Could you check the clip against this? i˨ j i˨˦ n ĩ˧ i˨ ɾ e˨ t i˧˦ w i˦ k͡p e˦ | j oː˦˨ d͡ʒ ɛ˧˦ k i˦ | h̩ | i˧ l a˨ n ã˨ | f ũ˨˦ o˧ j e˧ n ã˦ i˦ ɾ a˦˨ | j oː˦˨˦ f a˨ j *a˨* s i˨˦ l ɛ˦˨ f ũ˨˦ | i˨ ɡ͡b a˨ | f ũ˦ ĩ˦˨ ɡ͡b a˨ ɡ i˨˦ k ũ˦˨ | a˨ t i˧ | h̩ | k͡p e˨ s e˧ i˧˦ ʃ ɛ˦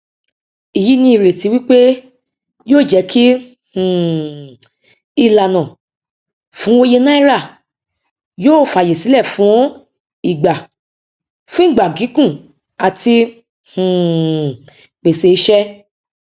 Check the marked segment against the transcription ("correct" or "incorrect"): incorrect